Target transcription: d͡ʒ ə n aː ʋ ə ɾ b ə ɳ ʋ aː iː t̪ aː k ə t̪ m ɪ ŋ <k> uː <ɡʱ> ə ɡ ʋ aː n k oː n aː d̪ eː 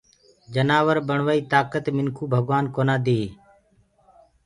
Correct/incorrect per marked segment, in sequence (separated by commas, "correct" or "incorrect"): incorrect, incorrect